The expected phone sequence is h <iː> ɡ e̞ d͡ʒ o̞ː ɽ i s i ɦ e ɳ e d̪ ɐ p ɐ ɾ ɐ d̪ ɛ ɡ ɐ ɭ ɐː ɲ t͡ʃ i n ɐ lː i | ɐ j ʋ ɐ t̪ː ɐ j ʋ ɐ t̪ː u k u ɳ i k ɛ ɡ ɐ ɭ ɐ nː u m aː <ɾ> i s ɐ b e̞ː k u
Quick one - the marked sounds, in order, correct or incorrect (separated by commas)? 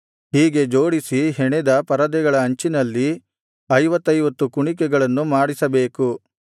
correct, incorrect